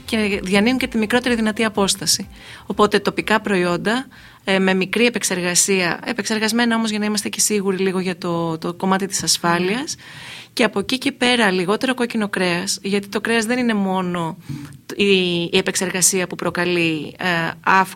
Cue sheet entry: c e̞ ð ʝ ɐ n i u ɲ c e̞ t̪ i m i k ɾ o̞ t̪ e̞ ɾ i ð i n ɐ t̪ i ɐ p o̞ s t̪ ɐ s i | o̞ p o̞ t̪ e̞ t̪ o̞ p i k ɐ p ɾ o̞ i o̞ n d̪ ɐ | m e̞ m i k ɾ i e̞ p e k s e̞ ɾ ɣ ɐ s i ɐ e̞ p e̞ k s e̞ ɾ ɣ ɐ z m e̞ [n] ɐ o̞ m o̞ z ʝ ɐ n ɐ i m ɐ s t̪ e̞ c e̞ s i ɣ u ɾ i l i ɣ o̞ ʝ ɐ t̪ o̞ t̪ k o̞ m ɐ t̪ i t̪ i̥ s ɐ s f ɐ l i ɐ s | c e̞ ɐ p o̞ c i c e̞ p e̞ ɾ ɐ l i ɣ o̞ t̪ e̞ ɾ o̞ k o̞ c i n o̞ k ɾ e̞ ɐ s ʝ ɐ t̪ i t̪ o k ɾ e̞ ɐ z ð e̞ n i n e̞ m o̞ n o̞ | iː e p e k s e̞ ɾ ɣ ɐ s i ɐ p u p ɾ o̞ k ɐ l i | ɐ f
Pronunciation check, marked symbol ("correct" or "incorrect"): correct